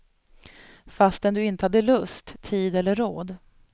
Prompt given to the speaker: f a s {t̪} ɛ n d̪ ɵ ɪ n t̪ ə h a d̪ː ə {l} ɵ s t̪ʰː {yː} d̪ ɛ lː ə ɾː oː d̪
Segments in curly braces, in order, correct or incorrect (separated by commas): correct, correct, incorrect